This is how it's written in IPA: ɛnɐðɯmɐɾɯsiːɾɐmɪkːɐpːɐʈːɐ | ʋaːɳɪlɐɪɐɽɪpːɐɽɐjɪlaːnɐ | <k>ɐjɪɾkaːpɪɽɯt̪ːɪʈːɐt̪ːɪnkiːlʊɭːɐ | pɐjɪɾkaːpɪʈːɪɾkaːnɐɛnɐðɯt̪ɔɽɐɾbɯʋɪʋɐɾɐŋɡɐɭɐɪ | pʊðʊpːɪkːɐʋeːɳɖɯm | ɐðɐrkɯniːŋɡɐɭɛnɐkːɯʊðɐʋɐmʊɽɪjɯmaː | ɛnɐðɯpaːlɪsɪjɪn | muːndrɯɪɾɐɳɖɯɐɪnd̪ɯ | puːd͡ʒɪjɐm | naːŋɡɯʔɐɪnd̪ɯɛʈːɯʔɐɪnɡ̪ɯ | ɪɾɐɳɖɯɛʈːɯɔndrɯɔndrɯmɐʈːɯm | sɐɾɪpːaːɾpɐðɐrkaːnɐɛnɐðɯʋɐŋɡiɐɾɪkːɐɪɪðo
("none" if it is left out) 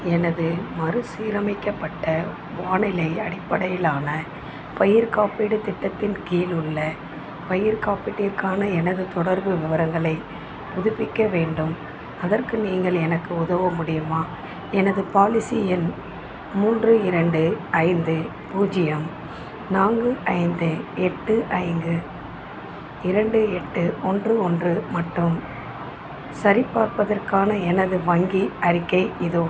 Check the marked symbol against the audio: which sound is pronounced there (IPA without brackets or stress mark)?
p